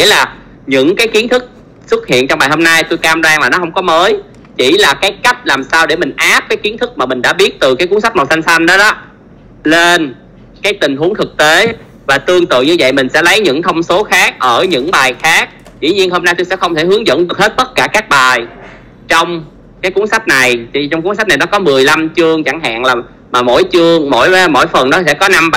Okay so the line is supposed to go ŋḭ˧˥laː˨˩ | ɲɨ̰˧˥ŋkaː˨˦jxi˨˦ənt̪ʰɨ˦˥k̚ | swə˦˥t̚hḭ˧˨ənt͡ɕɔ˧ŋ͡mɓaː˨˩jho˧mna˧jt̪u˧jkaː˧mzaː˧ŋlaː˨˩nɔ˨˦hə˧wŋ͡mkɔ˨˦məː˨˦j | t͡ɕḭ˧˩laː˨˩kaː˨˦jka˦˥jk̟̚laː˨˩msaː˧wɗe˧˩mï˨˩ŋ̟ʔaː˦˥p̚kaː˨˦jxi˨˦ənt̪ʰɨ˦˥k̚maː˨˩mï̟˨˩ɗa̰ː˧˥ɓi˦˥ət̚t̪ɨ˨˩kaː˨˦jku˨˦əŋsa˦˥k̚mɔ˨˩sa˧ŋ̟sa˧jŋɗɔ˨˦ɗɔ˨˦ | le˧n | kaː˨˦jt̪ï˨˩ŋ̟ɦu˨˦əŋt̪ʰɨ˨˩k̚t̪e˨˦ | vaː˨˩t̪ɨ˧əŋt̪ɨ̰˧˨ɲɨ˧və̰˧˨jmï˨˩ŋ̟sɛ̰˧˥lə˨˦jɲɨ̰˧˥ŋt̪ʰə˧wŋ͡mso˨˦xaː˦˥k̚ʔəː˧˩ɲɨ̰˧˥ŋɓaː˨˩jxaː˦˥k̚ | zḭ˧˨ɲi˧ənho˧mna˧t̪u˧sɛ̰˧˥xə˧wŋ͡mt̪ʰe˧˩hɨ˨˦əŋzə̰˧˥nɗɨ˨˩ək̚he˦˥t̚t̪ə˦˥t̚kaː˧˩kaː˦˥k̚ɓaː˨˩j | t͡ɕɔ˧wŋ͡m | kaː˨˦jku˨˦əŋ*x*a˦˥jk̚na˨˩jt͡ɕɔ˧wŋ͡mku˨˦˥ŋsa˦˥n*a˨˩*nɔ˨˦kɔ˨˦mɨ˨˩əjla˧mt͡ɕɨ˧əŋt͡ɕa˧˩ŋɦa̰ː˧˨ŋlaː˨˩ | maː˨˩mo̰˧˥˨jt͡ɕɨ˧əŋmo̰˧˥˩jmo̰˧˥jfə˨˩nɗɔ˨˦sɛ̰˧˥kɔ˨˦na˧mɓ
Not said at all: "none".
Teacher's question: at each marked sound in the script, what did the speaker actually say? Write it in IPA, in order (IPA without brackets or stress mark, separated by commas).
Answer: s, a˨˩